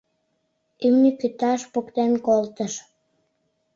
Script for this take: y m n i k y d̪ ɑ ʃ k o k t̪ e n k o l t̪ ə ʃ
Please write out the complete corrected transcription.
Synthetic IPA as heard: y m n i k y t̪ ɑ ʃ p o k t̪ e n k o l t̪ ə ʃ